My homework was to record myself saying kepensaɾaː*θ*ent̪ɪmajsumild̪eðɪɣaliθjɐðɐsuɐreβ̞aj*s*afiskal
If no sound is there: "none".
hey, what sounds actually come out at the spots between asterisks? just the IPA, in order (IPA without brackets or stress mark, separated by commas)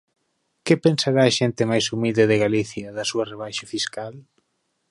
ʃ, ʃ